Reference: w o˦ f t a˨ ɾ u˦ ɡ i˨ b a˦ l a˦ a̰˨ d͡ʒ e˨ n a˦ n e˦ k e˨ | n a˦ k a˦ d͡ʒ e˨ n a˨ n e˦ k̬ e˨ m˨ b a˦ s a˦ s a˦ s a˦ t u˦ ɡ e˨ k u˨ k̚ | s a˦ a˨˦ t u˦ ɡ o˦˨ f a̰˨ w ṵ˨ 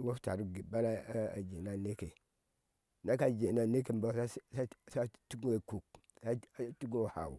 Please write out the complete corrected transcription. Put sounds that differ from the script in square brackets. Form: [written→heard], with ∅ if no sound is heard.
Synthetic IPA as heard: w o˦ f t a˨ ɾ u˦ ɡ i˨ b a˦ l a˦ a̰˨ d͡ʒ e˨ n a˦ n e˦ k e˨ | n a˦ k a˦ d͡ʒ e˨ n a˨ n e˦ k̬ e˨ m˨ b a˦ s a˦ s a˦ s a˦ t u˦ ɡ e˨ k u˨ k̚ | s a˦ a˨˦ t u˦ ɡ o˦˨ [f→h] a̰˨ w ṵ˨